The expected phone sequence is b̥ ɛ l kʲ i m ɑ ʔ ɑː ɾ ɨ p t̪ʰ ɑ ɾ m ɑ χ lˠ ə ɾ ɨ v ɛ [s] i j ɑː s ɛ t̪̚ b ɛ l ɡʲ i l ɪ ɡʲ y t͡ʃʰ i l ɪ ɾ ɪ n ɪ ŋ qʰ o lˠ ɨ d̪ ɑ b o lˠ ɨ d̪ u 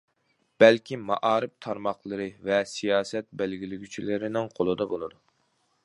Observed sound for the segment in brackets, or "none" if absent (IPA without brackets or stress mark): s